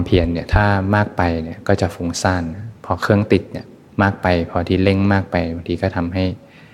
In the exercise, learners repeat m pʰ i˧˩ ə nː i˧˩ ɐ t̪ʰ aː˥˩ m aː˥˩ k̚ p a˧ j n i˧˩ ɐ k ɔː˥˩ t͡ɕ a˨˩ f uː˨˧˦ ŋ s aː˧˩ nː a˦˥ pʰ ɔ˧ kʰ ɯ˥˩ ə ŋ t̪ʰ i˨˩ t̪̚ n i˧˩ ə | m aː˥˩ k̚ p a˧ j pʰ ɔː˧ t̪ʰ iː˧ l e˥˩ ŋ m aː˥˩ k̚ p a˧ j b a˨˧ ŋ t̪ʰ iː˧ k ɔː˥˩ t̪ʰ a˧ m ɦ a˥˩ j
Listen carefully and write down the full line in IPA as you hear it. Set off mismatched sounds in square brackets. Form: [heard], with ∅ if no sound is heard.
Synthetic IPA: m pʰ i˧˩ ə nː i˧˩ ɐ t̪ʰ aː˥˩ m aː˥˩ k̚ p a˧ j n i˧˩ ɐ k ɔː˥˩ t͡ɕ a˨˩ f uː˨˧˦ ŋ s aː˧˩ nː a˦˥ pʰ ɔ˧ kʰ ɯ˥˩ ə ŋ [t̪] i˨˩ t̪̚ n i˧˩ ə | m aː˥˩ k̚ p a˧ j pʰ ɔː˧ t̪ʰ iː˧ l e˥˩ ŋ m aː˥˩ k̚ p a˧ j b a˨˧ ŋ t̪ʰ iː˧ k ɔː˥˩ t̪ʰ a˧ m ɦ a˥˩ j